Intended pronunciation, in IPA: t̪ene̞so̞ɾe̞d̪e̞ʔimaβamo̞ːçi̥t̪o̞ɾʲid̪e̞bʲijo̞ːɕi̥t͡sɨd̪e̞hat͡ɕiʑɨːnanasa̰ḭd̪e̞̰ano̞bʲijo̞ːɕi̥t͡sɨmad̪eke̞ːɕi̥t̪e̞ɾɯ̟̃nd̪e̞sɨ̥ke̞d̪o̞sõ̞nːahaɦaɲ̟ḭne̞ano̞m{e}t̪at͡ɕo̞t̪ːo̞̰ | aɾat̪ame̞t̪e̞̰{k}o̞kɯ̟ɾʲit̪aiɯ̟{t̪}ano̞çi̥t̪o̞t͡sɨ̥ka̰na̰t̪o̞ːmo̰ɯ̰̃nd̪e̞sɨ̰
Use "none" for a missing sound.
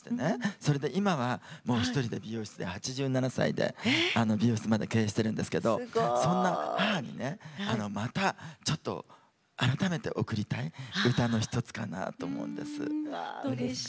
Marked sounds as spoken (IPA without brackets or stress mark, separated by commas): a, ʔ, t̪